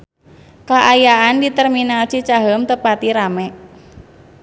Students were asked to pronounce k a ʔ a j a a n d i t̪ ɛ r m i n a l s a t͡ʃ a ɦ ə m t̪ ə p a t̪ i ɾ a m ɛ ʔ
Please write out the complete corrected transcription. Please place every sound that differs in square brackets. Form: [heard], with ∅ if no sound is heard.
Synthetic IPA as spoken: k a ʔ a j a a n d i t̪ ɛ r m i n a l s [i] t͡ʃ a ɦ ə m t̪ ə p a t̪ i ɾ a m ɛ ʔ